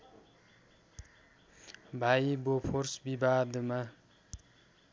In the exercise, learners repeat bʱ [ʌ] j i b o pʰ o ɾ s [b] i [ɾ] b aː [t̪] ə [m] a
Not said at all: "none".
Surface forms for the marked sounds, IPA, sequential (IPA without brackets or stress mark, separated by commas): a, b, none, d̪, m